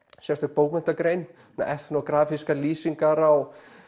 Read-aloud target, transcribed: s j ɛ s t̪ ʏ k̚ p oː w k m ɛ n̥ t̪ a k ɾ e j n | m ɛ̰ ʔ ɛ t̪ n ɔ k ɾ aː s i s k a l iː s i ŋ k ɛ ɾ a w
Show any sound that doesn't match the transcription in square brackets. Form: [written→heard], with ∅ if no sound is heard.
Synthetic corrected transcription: s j ɛ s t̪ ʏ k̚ p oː w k m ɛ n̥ t̪ a k ɾ e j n | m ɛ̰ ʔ ɛ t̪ n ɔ k ɾ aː [s→f] i s k a l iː s i ŋ k [ɛ→a] ɾ a w